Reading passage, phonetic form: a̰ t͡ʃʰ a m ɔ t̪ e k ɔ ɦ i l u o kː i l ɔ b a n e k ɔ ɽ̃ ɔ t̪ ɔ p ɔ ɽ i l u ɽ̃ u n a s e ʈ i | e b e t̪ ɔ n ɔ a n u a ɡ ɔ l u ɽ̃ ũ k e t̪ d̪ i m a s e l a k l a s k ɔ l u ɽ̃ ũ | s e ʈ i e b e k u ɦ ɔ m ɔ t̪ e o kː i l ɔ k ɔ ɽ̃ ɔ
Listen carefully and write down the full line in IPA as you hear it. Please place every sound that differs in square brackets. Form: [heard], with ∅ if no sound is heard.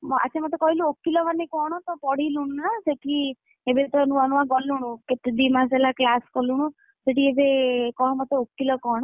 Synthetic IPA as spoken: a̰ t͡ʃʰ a m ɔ t̪ e k ɔ ɦ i l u o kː i l ɔ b a n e k ɔ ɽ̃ ɔ t̪ ɔ p ɔ ɽ i l u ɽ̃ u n a s e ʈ i | e b e t̪ ɔ n [u] a n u a ɡ ɔ l u ɽ̃ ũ k e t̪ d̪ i m a s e l a k l a s k ɔ l u ɽ̃ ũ | s e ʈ i e b e k [ɔ] ɦ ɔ m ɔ t̪ e o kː i l ɔ k ɔ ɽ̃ ɔ